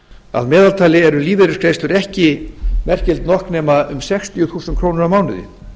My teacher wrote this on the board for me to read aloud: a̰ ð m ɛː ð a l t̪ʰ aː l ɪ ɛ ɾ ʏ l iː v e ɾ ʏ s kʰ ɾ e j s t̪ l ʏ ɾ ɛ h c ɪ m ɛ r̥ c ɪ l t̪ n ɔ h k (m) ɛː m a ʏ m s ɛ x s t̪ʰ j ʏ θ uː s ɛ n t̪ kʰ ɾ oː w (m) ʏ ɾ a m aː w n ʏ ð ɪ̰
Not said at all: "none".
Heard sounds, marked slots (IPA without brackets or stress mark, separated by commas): n, n